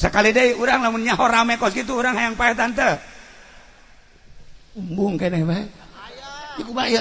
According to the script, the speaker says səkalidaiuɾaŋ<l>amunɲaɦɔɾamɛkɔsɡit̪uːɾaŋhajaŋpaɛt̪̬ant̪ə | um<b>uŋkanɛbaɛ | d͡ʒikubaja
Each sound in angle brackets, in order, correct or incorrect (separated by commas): correct, correct